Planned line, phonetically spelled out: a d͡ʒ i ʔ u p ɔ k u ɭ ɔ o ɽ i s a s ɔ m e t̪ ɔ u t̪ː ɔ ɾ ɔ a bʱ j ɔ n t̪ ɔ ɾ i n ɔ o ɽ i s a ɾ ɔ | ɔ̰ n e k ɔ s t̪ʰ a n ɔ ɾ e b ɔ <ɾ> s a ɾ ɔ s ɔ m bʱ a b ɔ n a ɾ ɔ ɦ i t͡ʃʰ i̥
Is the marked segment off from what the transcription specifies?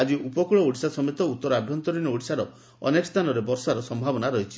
no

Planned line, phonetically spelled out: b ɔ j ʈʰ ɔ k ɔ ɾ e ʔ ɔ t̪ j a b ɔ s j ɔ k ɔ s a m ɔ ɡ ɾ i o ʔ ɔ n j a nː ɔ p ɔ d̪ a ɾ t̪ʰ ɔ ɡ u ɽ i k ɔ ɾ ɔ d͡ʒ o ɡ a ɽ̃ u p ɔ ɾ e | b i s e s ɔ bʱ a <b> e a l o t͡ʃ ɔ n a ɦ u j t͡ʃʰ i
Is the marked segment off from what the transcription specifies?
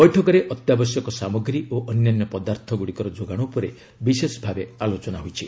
no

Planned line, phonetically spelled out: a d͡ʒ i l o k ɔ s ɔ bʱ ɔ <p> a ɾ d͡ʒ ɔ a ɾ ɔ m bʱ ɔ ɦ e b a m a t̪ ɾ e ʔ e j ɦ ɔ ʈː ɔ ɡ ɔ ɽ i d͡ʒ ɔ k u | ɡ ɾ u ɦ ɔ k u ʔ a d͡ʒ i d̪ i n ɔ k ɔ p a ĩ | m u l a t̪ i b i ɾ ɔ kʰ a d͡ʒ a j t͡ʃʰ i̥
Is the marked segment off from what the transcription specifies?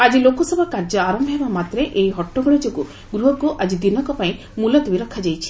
yes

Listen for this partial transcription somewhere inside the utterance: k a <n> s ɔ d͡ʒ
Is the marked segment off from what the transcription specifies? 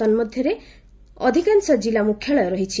no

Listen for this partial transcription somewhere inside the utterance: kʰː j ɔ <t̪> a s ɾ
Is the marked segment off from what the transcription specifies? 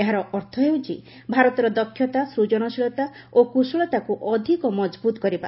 no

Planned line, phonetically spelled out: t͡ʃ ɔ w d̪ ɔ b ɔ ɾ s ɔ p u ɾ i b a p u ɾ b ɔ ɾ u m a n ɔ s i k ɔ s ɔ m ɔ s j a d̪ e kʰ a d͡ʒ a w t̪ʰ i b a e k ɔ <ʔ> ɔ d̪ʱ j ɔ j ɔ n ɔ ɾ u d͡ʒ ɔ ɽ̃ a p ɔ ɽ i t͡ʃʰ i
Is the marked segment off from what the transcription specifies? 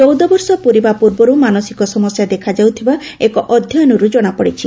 no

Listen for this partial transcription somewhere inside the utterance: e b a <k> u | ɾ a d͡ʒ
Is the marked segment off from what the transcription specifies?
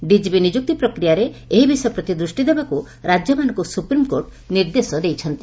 no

